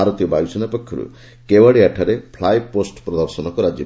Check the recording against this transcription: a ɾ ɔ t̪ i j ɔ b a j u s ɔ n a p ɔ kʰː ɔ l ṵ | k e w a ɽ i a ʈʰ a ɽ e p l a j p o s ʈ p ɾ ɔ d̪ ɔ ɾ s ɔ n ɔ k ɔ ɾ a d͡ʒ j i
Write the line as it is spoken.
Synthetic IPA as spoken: a ɾ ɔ t̪ i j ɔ b a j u s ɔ n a p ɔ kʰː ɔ ɾ ṵ | k e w a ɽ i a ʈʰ a ɾ e pʰ l a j p o s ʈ p ɾ ɔ d̪ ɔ ɾ s ɔ n ɔ k ɔ ɾ a d͡ʒ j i